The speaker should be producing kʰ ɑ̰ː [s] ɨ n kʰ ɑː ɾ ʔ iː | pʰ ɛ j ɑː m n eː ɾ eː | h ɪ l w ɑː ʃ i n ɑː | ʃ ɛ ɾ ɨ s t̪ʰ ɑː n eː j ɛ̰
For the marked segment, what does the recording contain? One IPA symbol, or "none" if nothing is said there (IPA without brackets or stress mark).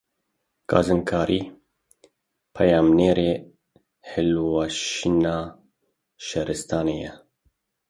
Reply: z